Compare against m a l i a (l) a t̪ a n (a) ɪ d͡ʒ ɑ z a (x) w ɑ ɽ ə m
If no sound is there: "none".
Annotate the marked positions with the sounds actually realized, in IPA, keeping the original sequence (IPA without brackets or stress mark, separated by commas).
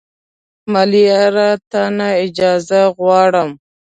ɾ, a, ɣ